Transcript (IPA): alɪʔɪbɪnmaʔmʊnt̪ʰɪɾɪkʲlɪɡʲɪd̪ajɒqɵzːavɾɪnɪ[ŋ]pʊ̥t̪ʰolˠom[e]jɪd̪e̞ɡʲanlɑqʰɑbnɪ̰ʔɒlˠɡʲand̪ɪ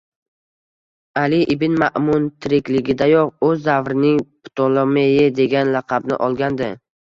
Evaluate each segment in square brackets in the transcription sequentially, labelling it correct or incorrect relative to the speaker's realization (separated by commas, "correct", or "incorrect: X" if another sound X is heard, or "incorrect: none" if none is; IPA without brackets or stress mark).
correct, correct